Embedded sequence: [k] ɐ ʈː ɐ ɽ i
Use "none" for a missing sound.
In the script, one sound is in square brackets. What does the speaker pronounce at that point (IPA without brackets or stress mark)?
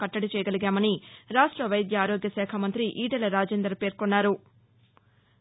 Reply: k